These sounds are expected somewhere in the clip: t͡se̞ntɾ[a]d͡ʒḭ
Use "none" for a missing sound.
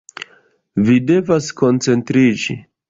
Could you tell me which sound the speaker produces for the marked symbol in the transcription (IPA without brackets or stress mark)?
i